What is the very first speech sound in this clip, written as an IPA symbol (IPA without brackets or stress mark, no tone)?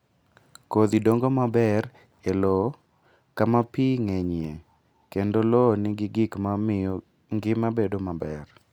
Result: k